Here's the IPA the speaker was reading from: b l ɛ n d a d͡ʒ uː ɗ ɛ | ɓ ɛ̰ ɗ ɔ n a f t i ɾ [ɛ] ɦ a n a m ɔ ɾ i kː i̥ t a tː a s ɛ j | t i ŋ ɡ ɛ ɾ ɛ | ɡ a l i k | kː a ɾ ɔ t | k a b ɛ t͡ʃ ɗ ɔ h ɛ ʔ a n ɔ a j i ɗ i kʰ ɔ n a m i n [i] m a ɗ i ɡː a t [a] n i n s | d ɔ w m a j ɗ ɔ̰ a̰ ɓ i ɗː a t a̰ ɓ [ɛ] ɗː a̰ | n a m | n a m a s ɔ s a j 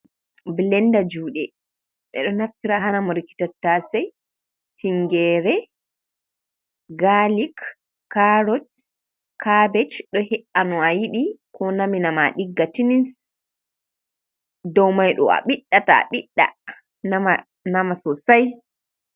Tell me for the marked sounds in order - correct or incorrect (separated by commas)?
incorrect, incorrect, incorrect, incorrect